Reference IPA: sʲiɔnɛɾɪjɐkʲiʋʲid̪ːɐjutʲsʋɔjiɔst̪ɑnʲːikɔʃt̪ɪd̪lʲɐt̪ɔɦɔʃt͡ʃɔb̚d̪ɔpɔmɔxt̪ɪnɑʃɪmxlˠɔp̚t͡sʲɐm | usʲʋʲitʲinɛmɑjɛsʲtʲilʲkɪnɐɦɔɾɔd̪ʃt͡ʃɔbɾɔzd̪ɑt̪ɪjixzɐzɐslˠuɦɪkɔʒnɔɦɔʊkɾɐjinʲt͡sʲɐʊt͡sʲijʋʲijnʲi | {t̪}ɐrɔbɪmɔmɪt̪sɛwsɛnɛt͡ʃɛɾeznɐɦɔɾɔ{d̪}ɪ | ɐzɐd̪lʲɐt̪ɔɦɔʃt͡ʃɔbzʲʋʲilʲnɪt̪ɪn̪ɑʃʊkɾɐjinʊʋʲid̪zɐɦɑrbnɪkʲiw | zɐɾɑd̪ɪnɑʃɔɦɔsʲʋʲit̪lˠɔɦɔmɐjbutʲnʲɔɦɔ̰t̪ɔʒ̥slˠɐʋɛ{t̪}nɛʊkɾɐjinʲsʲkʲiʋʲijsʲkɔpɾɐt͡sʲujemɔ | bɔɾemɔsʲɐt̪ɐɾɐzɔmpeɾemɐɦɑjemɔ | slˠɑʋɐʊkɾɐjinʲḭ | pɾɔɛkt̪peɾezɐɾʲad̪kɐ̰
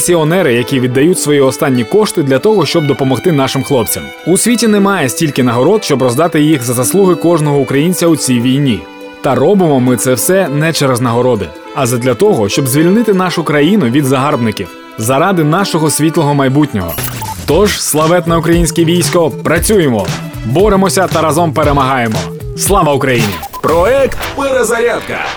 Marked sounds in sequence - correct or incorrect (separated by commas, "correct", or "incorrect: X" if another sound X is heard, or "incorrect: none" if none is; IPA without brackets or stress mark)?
correct, correct, correct